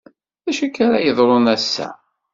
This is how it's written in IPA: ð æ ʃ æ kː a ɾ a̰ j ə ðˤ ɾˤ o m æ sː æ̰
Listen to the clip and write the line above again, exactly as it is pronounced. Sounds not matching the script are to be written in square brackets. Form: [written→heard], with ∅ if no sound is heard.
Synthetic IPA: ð æ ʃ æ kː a ɾ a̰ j ə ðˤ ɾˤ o [m→n] æ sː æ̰